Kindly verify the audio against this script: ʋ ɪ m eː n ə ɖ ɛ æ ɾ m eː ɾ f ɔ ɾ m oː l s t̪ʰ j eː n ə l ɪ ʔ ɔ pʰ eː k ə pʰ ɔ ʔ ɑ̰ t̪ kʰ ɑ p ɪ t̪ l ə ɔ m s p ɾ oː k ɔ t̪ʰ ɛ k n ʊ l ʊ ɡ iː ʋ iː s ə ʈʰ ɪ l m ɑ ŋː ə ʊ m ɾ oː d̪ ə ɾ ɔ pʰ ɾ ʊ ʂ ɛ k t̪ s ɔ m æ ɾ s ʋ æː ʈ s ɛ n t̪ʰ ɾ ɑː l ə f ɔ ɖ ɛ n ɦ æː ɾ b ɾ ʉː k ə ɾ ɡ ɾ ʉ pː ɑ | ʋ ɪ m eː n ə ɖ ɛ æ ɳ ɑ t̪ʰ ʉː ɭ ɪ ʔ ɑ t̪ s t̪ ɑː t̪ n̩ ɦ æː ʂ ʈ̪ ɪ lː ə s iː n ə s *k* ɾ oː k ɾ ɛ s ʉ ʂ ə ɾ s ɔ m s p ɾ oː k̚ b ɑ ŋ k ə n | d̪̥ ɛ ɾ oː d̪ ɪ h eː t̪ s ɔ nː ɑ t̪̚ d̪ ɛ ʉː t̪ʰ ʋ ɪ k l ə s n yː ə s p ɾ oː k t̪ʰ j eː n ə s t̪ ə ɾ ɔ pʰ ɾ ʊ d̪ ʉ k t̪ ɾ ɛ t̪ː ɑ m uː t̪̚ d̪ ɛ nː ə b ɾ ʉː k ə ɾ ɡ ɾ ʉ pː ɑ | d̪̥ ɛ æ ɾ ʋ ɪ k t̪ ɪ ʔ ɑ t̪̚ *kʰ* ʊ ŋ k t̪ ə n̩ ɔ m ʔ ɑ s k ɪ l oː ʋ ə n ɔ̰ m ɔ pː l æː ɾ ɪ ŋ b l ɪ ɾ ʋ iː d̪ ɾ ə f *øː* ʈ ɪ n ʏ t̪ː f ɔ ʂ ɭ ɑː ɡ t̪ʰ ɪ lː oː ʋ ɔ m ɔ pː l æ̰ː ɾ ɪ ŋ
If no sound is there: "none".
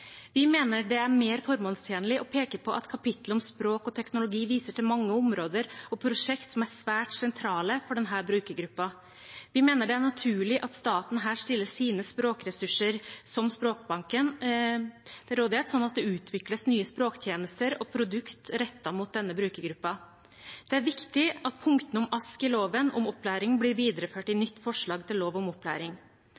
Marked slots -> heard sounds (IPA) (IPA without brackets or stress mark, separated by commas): p, pʰ, øː